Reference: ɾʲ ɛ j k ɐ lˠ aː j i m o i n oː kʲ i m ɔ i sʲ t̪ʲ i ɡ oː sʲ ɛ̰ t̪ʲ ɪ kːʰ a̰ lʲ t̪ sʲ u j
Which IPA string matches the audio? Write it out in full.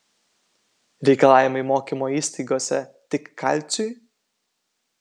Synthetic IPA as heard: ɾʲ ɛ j k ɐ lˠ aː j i m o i m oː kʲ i m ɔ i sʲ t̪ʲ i ɡ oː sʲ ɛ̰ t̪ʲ ɪ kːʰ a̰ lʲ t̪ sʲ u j